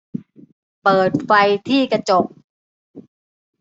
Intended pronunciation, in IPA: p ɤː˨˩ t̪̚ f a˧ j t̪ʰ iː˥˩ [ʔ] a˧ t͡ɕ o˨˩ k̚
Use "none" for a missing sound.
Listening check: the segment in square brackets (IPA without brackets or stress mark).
k